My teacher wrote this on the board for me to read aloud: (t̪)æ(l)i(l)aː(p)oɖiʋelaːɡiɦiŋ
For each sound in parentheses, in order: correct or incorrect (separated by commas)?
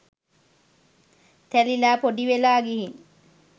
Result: correct, correct, correct, correct